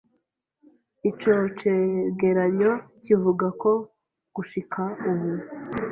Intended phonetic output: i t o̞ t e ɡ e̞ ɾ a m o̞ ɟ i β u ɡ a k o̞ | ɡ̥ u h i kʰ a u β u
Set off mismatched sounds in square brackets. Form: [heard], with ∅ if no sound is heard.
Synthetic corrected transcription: i [t͡ʃ] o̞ [t͡ʃ] e ɡ e̞ ɾ a [ɲ] o̞ [c] i [v] u ɡ a k o̞ | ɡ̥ u [ʃ] i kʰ a u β u